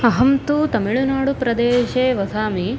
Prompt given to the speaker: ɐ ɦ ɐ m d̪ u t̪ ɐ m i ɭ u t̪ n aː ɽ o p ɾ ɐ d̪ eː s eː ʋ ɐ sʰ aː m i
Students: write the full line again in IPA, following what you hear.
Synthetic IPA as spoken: ɐ ɦ ɐ m t̪ u t̪ ɐ m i ɭ u n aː ɽ u p ɾ ɐ d̪ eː ʃ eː ʋ ɐ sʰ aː m i